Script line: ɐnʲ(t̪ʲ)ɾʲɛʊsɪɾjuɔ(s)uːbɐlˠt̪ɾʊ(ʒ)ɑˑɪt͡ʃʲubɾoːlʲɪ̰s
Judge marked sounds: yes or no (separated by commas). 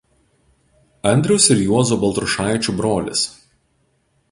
no, no, no